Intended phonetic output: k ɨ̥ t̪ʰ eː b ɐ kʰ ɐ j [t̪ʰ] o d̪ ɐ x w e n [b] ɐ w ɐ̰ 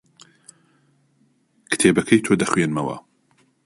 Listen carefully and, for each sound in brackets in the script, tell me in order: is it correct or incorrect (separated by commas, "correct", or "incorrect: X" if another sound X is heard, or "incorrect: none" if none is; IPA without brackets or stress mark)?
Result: correct, incorrect: m